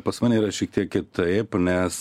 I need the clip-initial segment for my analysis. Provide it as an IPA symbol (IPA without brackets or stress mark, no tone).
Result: p